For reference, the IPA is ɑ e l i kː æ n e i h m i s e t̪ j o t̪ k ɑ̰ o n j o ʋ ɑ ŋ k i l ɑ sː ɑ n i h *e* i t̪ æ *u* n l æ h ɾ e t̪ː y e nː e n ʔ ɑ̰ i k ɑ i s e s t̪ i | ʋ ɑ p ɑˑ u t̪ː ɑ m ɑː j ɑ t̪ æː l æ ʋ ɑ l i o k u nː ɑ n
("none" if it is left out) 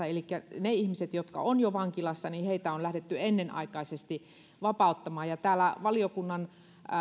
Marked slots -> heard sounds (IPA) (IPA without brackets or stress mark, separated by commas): e, o